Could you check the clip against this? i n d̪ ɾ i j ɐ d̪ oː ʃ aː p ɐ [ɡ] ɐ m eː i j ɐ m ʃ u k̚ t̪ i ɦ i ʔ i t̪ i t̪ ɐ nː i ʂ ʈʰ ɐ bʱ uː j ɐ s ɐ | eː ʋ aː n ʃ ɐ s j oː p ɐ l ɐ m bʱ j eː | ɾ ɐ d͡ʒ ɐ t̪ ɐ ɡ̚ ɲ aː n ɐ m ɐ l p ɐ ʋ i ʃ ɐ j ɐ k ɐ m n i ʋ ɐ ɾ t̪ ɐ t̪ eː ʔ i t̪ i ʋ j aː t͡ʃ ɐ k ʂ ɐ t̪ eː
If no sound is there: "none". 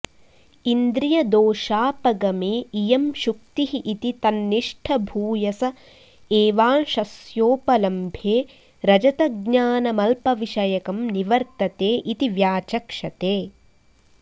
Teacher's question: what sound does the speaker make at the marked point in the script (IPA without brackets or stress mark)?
ɡ